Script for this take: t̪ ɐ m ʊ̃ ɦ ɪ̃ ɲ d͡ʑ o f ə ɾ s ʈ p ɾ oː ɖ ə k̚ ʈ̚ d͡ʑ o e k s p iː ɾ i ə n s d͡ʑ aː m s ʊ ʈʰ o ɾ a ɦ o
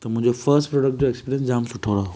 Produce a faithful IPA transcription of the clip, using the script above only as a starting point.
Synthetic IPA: t̪ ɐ m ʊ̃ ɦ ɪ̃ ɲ d͡ʑ o f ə ɾ s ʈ p ɾ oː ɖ ə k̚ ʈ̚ d͡ʑ o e k s p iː ɾ i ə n s d͡ʑ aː m s ʊ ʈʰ o ɾ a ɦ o

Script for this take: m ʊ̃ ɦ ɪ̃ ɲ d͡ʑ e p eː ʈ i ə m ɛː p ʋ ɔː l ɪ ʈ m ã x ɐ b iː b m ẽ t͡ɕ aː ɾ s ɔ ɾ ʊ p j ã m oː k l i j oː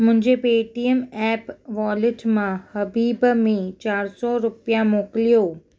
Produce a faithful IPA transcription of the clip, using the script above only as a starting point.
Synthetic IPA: m ʊ̃ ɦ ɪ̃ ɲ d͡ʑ e p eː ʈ i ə m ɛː p ʋ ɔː l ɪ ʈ m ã h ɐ b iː b m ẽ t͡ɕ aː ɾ s ɔ ɾ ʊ p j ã m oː k l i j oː

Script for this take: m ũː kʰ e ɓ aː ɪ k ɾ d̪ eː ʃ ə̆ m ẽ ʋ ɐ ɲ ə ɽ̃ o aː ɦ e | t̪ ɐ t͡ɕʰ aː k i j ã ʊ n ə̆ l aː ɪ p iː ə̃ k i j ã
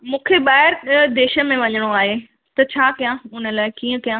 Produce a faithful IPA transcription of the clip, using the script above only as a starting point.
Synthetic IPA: m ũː kʰ e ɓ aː ɪ ɾ d̪ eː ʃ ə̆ m ẽ ʋ ɐ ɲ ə ɽ̃ o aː ɦ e | t̪ ɐ t͡ɕʰ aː k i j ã ʊ n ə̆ l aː ɪ k iː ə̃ k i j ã

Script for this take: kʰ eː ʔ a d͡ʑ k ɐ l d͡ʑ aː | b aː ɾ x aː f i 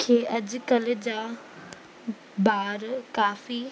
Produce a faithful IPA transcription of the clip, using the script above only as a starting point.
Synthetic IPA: kʰ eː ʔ ɐ d͡ʑ k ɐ l d͡ʑ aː | b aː ɾ k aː f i

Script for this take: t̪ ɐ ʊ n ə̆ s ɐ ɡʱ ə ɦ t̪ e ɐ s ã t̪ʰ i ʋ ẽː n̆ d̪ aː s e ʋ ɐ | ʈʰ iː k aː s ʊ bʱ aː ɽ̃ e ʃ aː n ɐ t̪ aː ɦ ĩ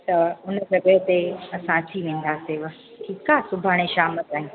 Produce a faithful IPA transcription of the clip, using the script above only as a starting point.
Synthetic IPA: t̪ ɐ ʊ n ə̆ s ɐ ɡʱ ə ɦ t̪ e ɐ s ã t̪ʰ i ʋ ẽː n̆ d̪ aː s e ʋ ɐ | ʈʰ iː k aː s ʊ bʱ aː ɽ̃ e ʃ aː m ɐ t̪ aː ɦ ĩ

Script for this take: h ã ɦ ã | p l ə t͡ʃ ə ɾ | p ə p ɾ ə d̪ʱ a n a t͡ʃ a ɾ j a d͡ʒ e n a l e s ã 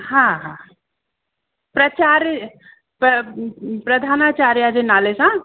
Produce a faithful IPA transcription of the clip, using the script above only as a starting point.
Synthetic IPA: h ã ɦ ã | p ɾ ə t͡ʃ a ɾ | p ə p ɾ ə d̪ʱ a n a t͡ʃ a ɾ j a d͡ʒ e n a l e s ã

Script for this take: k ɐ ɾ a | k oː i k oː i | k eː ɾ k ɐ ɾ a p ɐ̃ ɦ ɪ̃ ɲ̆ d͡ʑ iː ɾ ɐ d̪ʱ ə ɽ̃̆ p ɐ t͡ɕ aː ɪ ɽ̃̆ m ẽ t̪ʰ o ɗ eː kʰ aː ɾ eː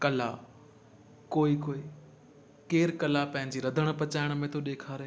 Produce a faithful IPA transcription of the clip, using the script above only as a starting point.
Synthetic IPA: k ɐ l a | k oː i k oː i | k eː ɾ k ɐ l a p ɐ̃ ɦ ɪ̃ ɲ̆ d͡ʑ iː ɾ ɐ d̪ʱ ə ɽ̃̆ p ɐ t͡ɕ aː ɪ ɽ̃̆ m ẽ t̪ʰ o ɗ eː kʰ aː ɾ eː

